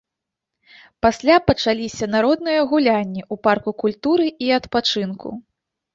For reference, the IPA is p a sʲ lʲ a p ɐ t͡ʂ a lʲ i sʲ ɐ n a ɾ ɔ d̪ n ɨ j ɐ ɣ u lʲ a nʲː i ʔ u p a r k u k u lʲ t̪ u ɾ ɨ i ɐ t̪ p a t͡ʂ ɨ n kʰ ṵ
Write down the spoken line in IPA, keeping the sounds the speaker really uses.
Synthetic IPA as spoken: p a sʲ lʲ a p ɐ t͡ʂ a lʲ i sʲ ɐ n a ɾ ɔ d̪ n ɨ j ɐ ɣ u lʲ a nʲː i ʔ u p a r k u k u lʲ t̪ u ɾ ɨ i ɐ t̪ p a t͡ʂ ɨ n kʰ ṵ